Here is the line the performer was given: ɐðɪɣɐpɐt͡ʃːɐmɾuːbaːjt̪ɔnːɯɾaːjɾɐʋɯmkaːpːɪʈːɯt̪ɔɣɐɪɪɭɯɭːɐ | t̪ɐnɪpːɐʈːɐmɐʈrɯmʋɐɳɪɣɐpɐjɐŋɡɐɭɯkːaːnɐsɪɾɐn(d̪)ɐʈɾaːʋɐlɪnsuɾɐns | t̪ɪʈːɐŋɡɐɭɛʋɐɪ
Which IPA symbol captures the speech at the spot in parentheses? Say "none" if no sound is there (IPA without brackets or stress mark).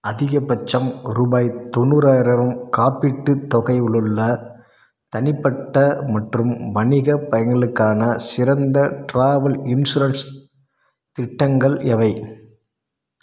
d̪